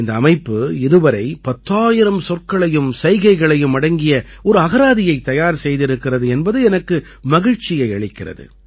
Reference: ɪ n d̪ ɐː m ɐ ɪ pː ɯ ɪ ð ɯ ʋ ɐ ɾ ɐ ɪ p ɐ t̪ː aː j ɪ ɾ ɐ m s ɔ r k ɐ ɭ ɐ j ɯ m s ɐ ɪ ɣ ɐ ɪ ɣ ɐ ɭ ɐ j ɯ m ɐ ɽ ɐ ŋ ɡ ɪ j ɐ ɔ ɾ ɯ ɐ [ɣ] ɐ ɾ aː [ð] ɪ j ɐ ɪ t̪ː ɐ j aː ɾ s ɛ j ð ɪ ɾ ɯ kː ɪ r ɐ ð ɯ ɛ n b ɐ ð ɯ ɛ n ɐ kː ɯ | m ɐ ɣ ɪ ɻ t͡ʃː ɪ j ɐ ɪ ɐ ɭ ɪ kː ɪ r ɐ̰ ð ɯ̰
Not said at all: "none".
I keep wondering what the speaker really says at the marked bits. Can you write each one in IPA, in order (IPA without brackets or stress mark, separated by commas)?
ɣ, ð